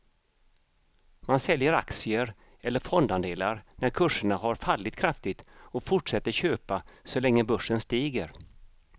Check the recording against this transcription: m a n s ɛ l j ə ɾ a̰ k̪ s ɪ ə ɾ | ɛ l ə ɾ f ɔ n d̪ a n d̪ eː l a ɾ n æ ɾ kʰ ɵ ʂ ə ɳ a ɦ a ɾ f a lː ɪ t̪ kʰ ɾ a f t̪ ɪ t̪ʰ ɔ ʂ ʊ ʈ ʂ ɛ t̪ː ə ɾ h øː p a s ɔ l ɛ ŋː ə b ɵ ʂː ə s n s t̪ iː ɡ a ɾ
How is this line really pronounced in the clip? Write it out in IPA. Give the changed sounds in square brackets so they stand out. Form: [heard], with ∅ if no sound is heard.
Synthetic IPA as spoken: m a n s ɛ l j ə ɾ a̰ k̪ s ɪ ə ɾ | ɛ [lː] ə ɾ f ɔ n d̪ a n d̪ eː l a ɾ n æ ɾ kʰ ɵ ʂ ə ɳ a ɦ a ɾ f a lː ɪ t̪ kʰ ɾ a f t̪ ɪ [t̪] ɔ [f] ʊ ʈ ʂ ɛ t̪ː ə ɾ [ɕ] øː p a s ɔ l ɛ ŋː ə b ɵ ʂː ə [∅] n s t̪ iː ɡ [ə] ɾ